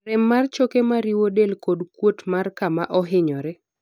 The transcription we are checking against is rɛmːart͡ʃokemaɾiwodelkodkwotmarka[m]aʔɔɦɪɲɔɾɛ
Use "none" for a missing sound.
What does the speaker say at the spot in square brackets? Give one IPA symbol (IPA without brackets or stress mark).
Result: m